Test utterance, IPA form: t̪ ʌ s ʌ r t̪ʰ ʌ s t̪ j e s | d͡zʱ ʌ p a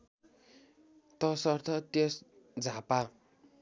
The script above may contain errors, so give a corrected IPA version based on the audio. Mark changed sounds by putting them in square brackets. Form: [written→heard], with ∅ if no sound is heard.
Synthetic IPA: t̪ ʌ s ʌ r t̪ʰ ʌ [s→∅] t̪ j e s | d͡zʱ [ʌ→a] p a